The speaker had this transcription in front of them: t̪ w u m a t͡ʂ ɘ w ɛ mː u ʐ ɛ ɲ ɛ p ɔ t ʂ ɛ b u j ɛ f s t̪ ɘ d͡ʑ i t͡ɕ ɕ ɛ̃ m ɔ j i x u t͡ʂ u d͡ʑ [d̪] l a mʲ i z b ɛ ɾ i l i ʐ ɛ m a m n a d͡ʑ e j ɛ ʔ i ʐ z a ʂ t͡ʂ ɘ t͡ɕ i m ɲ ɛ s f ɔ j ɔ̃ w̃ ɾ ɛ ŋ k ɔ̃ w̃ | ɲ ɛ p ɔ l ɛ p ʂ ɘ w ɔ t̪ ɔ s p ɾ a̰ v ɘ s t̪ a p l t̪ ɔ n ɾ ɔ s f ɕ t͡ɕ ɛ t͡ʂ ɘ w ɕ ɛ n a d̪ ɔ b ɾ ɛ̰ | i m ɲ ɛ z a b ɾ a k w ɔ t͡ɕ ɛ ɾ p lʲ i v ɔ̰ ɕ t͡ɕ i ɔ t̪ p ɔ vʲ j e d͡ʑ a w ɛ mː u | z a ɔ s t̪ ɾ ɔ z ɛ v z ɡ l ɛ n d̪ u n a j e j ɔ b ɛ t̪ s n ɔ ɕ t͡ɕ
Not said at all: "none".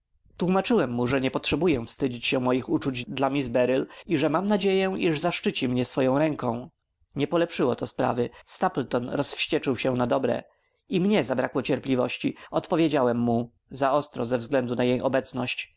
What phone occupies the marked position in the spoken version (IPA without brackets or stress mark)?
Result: d̪